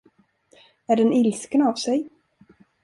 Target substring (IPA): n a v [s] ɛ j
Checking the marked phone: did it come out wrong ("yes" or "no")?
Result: no